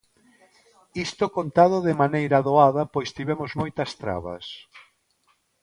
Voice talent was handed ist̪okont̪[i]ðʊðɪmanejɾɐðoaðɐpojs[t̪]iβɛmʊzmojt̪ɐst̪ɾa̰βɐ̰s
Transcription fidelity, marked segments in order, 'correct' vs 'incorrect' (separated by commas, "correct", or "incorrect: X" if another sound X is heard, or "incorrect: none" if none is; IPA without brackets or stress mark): incorrect: a, correct